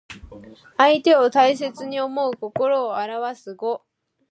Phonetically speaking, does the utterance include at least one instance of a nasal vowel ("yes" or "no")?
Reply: no